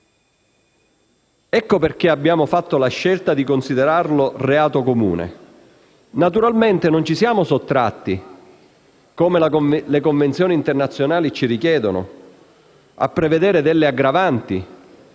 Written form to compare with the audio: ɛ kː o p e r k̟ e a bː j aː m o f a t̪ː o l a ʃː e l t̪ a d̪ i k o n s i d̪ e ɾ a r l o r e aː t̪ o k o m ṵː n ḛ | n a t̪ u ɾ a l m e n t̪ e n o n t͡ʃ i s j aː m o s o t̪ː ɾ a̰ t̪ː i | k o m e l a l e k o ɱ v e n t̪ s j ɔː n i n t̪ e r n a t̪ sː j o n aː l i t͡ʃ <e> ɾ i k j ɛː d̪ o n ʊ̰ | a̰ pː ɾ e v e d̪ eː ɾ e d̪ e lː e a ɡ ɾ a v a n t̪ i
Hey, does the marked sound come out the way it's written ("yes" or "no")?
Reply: no